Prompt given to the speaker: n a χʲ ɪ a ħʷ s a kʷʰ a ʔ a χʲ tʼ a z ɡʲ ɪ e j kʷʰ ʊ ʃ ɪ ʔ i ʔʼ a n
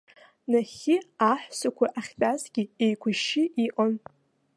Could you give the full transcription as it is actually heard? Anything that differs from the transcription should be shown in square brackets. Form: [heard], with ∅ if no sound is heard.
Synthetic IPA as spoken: n a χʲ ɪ a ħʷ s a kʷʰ a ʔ a χʲ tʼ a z ɡʲ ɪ e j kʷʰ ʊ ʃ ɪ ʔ i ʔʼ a n